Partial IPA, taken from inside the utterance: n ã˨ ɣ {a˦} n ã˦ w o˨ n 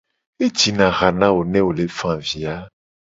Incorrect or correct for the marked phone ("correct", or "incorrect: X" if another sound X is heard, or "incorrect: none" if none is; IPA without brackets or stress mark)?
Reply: incorrect: a˨